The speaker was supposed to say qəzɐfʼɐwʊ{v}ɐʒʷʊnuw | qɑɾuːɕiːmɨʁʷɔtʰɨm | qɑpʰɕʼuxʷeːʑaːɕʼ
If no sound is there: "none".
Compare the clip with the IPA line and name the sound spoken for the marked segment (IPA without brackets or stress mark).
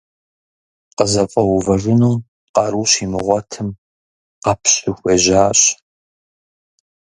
v